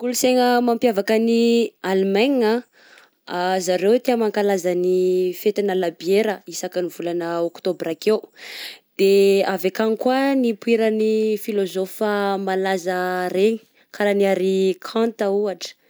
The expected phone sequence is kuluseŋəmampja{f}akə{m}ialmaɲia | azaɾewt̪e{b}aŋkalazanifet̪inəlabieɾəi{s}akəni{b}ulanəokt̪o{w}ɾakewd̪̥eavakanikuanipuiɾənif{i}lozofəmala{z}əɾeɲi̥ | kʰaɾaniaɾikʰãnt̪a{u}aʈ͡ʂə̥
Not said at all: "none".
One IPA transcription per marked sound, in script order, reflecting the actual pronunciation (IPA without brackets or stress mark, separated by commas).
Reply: v, n, m, s, v, b, i, z, u